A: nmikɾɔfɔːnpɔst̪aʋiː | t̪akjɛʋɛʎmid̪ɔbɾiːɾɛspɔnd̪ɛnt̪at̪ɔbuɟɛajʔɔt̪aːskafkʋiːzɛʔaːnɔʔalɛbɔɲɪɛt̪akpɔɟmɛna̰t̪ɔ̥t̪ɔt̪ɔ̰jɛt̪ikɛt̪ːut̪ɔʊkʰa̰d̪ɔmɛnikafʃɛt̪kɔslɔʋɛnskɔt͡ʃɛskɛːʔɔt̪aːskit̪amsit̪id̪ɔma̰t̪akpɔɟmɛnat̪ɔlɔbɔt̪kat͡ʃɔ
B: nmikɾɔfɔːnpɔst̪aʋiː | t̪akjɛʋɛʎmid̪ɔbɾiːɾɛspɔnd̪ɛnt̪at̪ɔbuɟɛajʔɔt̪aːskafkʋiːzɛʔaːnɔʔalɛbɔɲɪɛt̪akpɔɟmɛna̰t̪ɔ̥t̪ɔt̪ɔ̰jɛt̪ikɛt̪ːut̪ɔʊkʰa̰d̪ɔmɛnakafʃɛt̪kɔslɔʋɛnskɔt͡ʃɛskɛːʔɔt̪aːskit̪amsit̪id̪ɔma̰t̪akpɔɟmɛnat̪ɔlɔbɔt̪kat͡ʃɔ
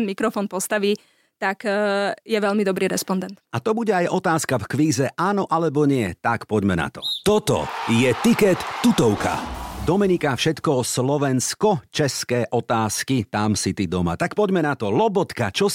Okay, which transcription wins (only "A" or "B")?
A